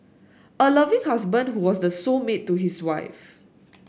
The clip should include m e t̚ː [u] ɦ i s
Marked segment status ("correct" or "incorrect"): correct